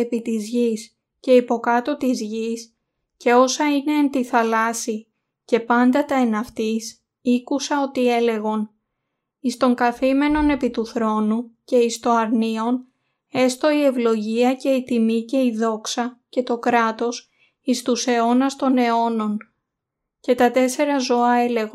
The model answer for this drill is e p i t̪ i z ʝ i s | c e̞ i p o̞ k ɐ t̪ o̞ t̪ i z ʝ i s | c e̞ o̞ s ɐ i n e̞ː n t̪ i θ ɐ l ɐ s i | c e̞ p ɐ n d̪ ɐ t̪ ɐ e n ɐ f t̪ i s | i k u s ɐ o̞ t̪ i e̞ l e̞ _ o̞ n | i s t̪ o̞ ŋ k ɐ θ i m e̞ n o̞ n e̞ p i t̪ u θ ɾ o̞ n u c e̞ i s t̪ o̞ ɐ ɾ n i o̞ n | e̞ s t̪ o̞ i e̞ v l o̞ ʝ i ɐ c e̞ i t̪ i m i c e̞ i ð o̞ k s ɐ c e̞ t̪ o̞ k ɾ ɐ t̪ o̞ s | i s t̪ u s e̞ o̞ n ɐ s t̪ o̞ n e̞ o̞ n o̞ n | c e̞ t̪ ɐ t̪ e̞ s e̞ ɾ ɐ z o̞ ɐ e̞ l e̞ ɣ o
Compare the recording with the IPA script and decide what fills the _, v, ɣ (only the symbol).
ɣ